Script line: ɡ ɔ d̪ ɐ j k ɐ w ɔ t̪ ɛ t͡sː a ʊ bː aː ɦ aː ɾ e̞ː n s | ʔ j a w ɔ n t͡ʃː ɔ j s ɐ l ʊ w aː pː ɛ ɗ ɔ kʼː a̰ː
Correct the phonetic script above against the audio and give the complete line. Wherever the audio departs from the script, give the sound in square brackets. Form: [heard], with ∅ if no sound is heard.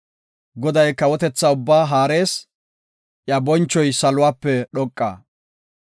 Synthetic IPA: ɡ ɔ d̪ ɐ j k ɐ w ɔ t̪ ɛ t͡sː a ʊ bː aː ɦ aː ɾ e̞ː [∅] s | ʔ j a [b] ɔ n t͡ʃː ɔ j s ɐ l ʊ w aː pː ɛ ɗ ɔ kʼː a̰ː